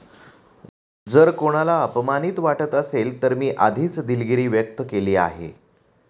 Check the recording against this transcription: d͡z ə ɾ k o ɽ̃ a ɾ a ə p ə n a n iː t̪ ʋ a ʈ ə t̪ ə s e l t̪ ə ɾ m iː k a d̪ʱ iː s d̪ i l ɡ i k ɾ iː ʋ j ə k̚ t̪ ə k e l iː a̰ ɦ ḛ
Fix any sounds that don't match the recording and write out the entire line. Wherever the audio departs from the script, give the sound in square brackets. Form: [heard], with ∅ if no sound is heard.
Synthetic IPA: d͡z ə ɾ k o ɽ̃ a [l] a ə p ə [m] a n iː t̪ ʋ a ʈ ə t̪ ə s e l t̪ ə ɾ m iː [ʔ] a d̪ʱ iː [t͡s] d̪ i l ɡ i [∅] ɾ iː ʋ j ə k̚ t̪ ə k e l iː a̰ ɦ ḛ